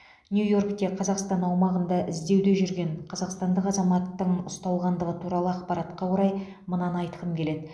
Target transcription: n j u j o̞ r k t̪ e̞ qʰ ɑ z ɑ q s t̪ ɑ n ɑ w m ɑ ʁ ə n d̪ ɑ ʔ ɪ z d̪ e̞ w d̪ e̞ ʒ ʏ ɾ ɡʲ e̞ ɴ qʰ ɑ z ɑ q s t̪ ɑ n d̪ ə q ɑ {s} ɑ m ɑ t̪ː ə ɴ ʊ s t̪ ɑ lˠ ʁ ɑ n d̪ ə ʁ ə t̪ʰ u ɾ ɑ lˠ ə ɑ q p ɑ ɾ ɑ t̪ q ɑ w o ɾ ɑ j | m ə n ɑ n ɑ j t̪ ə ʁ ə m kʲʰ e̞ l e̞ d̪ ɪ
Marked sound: incorrect: z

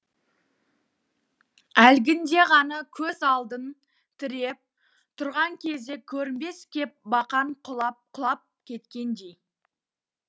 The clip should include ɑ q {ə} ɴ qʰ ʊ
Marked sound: incorrect: ɑ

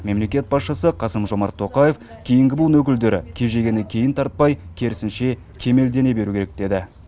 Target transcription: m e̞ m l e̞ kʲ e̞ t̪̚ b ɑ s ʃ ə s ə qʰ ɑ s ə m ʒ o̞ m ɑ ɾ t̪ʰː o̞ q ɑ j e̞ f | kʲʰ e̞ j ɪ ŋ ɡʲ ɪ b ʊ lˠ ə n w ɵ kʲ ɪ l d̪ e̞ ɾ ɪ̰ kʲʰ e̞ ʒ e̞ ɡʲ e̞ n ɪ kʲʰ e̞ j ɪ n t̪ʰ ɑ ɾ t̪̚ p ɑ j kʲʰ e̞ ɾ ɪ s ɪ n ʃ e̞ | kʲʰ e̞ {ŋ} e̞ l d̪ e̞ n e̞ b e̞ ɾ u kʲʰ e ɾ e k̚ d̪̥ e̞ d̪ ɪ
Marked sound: incorrect: m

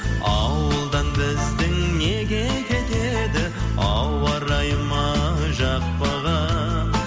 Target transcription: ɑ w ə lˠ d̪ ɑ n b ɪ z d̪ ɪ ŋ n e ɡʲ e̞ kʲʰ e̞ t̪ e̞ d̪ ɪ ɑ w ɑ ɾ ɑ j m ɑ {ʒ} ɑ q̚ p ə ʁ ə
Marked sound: correct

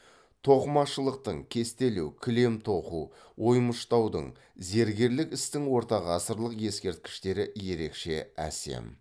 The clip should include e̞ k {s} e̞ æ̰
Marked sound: incorrect: ʃ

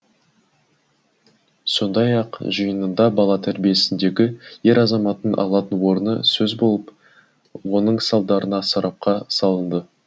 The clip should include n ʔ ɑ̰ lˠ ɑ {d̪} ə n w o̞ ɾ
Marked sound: incorrect: t̪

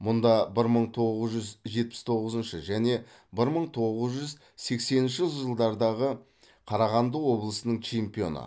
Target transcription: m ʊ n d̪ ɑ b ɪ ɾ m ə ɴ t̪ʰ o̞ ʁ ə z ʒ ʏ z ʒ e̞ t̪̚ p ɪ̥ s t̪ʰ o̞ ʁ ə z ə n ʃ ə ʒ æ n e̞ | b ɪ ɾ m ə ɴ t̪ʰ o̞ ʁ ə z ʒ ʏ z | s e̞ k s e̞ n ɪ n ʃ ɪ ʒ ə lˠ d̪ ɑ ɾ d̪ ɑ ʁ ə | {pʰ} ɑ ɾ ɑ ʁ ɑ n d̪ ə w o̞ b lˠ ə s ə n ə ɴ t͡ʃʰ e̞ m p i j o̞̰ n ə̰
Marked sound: incorrect: qʰ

